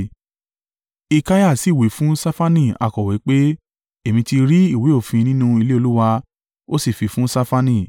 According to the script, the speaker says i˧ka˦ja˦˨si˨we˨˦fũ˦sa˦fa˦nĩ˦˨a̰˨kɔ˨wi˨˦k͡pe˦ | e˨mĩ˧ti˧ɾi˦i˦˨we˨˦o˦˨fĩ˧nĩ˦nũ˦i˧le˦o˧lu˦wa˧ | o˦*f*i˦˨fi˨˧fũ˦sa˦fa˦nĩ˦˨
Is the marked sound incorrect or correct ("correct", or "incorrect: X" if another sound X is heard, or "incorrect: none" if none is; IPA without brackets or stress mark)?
incorrect: s